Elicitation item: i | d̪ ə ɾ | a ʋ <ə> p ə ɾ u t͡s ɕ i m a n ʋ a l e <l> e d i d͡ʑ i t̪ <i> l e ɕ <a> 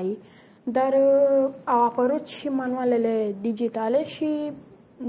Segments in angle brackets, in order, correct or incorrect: incorrect: a, correct, incorrect: a, incorrect: i

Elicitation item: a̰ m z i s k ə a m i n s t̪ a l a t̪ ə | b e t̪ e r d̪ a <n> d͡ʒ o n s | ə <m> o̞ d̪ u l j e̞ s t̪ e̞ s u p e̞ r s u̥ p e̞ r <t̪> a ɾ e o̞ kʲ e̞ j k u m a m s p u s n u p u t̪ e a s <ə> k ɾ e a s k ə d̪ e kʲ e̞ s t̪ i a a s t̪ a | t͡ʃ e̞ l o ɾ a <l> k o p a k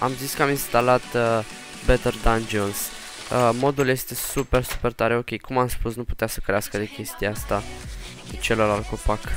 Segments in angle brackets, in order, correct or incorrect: correct, correct, correct, correct, correct

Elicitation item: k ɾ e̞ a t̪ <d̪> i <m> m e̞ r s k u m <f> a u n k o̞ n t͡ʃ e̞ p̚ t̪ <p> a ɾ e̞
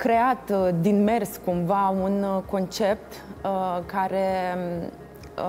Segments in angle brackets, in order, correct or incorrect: correct, incorrect: n, incorrect: v, incorrect: k

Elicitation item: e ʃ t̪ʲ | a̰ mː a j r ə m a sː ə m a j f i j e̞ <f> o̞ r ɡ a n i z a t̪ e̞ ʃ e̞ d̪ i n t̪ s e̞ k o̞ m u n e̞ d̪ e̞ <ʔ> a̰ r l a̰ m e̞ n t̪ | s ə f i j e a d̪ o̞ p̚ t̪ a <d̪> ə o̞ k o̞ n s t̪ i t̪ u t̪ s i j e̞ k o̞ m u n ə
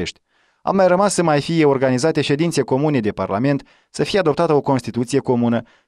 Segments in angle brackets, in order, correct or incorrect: incorrect: none, incorrect: p, incorrect: t̪

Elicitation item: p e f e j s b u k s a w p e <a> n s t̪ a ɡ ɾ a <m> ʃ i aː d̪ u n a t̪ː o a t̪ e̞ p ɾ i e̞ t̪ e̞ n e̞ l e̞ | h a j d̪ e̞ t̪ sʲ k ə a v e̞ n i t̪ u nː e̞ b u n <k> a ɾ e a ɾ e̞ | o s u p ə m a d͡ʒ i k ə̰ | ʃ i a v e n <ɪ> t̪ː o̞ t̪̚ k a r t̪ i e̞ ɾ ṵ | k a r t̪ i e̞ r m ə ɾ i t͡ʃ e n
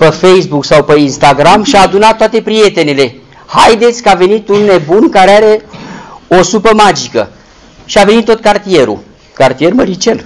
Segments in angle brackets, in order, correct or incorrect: incorrect: i, correct, correct, incorrect: i

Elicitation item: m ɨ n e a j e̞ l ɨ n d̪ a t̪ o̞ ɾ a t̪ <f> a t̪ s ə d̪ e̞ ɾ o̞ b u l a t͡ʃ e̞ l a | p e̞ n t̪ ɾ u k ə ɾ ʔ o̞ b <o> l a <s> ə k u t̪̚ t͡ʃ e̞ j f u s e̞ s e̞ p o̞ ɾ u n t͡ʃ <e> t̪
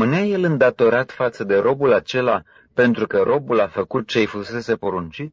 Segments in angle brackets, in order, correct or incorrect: correct, incorrect: u, incorrect: f, incorrect: i

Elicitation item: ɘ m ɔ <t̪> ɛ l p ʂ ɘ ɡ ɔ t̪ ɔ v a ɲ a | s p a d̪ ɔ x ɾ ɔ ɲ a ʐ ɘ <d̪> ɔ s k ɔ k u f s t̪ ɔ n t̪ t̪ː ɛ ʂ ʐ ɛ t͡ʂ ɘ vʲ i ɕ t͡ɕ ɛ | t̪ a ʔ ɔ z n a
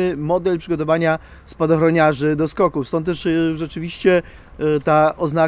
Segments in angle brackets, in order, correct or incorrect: incorrect: d̪, correct

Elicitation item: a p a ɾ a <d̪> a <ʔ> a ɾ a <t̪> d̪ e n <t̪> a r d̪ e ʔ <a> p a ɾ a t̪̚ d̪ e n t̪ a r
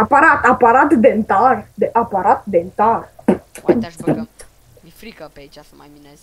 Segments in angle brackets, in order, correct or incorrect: incorrect: t̪, incorrect: p, correct, correct, correct

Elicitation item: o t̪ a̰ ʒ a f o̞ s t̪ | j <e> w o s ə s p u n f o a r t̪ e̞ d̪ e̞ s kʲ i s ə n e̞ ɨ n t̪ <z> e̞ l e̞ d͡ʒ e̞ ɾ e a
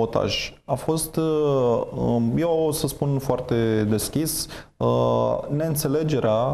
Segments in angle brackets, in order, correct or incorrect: correct, incorrect: s

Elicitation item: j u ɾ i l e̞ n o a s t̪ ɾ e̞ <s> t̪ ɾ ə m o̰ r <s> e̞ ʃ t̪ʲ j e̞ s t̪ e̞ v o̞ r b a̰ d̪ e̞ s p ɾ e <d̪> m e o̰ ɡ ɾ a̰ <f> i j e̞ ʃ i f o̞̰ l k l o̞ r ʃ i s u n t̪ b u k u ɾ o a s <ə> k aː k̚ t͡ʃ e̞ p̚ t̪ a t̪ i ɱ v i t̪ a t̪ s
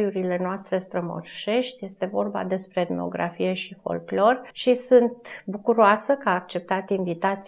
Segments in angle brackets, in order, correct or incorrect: correct, incorrect: ʃ, correct, correct, correct

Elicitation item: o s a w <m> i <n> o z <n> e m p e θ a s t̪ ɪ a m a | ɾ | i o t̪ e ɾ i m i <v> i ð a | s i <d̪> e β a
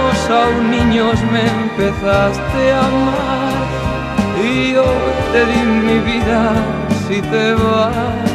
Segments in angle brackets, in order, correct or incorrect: incorrect: n, incorrect: ɲ, incorrect: m, incorrect: β, incorrect: t̪

